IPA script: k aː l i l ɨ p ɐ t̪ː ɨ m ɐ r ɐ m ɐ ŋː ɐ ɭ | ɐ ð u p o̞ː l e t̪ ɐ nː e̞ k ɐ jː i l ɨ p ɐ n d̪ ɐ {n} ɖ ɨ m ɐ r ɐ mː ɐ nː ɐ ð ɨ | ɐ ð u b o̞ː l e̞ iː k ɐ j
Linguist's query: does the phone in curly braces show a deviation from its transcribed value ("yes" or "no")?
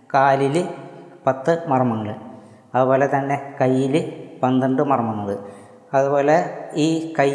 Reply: yes